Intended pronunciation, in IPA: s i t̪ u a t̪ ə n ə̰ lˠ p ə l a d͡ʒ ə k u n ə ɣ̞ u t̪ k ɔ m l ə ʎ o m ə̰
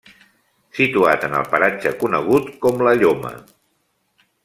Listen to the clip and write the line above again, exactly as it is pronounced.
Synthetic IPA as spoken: s i t̪ u a t̪ ə n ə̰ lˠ p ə ɾ a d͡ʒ ə k u n ə ɣ̞ u t̪ k ɔ m l ə ʎ o m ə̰